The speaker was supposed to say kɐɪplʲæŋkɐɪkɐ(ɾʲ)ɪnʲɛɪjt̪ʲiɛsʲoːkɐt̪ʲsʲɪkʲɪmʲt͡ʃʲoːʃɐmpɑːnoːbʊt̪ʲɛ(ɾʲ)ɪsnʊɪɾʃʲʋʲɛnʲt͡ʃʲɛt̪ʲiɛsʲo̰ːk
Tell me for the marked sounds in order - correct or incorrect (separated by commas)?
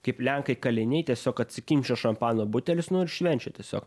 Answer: incorrect, incorrect